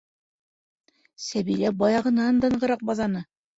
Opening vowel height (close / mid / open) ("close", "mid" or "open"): open